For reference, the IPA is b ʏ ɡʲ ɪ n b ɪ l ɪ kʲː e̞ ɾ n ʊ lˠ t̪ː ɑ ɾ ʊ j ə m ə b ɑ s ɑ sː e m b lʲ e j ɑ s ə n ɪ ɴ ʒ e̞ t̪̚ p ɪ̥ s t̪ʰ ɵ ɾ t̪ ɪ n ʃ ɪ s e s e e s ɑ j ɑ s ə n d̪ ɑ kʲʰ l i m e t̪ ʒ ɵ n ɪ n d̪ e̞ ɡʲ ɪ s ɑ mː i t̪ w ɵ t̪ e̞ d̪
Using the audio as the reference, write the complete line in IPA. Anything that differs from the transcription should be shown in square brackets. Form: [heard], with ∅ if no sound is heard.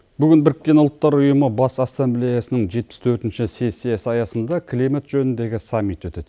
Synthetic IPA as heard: b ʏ ɡʲ ɪ n b ɪ [ɾ] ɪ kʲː e̞ [∅] n ʊ lˠ t̪ː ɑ ɾ ʊ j ə m ə b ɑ s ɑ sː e m b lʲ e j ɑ s ə n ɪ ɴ ʒ e̞ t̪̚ p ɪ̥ s t̪ʰ ɵ ɾ t̪ ɪ n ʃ ɪ s e s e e s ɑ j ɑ s ə n d̪ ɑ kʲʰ l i m e t̪ ʒ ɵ n ɪ n d̪ e̞ ɡʲ ɪ s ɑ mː i t̪ w ɵ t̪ e̞ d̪